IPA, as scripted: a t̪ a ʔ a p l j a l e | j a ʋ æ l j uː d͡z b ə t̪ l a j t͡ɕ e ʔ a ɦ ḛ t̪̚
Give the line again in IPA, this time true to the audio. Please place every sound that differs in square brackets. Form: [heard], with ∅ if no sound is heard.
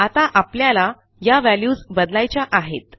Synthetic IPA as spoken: a t̪ a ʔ a p l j a l [a] | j a ʋ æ l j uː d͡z b ə [d̪] l a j t͡ɕ [a] ʔ a ɦ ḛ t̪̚